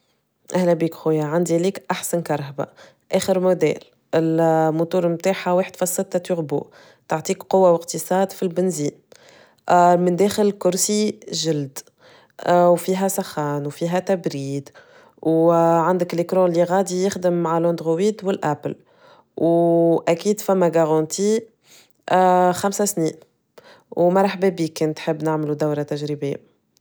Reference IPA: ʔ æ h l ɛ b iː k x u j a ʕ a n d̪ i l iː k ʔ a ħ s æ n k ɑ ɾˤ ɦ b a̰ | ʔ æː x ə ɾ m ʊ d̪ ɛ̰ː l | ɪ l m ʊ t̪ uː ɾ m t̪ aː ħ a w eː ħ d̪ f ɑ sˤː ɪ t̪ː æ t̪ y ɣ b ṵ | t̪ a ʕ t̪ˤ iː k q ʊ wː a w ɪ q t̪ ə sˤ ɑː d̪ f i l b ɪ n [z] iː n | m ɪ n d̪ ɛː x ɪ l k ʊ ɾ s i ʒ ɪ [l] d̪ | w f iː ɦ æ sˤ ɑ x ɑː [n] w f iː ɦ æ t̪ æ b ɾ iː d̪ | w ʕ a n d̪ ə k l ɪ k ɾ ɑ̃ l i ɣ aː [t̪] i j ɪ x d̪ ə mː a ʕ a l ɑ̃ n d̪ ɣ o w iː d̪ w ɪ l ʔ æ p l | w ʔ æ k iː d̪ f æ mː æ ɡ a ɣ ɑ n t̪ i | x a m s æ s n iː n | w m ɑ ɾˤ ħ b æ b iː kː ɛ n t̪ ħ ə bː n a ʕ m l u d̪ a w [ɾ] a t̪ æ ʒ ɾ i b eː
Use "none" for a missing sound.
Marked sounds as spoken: z, l, n, d̪, ɾ

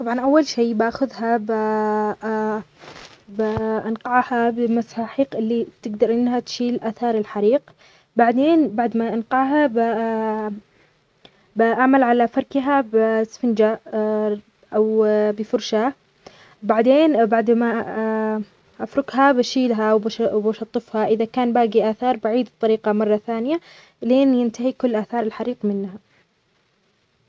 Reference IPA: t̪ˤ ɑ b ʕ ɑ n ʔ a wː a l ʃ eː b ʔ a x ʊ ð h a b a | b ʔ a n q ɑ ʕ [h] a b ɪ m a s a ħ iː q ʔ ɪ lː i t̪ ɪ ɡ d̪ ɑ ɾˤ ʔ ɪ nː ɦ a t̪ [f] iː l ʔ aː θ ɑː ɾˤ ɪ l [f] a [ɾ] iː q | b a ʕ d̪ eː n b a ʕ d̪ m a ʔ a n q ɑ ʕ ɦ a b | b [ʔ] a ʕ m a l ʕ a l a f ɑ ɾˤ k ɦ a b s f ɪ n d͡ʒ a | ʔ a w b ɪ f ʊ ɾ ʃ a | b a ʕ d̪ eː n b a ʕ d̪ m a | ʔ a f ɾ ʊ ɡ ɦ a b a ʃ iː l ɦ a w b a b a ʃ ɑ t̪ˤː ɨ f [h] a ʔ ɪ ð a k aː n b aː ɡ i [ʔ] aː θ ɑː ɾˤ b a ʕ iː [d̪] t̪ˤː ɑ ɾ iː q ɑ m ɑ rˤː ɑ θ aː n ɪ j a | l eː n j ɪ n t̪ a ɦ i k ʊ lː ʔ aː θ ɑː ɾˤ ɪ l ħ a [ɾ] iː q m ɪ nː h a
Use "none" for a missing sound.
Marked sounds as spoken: h, ʃ, ħ, ɾ, ʔ, h, ʔ, d̪, ɾ

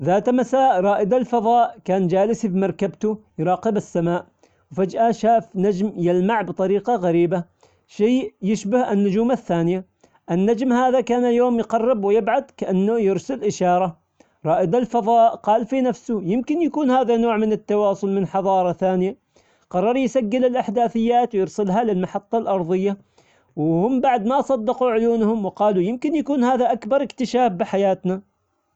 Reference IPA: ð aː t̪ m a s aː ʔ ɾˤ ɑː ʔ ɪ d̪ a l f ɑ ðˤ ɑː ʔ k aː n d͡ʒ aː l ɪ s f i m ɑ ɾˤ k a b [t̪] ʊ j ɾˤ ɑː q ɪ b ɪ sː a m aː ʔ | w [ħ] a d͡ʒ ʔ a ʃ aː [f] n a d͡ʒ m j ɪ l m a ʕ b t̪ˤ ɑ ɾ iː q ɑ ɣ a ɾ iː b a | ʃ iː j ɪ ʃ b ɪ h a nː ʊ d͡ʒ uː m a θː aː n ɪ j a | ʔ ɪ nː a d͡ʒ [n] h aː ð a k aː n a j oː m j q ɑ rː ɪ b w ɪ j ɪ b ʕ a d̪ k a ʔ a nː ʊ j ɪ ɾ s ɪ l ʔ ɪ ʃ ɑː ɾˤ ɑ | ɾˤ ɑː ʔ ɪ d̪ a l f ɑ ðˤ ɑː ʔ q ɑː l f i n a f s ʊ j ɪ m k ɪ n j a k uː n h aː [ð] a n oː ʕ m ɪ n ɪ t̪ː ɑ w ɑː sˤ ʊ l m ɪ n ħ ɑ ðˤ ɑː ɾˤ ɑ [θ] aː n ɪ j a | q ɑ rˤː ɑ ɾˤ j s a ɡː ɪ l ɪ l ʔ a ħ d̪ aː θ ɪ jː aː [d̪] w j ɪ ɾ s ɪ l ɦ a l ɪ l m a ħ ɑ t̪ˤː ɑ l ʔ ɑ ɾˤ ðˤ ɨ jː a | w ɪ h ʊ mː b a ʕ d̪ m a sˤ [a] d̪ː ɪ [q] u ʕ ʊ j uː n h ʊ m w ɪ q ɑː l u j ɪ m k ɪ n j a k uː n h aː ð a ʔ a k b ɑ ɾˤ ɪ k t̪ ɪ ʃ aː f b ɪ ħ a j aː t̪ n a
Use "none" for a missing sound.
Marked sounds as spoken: t̪, f, f, m, ð, θ, t̪, ɑ, q

